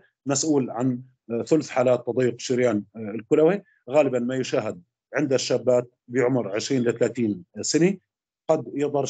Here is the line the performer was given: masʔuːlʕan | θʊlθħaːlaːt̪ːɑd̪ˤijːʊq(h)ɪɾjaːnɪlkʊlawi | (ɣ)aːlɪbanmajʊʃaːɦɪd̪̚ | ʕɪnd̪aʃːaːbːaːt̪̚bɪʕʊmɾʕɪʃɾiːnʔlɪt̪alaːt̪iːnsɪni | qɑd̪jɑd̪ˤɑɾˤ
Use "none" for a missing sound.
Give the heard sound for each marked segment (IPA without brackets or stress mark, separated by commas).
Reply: ʃ, ɣ